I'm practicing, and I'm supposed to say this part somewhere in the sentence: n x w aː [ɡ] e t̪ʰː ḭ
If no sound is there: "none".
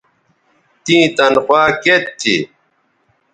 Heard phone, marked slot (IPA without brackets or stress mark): k